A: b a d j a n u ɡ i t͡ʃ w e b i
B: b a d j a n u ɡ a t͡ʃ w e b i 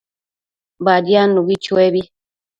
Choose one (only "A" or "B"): A